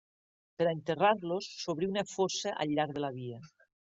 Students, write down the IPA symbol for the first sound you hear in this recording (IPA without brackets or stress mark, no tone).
p